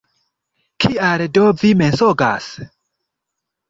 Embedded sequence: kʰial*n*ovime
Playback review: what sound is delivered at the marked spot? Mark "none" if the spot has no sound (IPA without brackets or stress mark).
d